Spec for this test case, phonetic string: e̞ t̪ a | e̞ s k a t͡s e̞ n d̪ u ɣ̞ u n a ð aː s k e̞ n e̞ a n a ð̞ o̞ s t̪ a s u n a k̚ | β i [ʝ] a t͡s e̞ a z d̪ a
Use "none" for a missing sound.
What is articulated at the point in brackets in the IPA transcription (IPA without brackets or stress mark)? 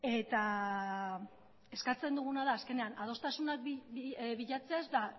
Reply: ʎ